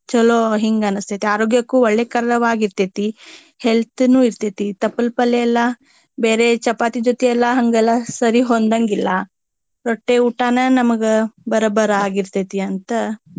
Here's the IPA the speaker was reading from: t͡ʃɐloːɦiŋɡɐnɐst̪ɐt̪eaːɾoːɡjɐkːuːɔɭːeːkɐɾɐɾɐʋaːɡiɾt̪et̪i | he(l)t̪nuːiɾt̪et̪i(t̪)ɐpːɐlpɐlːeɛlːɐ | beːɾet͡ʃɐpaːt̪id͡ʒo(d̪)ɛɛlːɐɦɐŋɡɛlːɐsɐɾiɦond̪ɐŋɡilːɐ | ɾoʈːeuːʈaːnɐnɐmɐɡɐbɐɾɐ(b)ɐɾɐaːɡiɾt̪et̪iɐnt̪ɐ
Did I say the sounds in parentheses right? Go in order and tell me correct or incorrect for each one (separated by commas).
correct, correct, incorrect, correct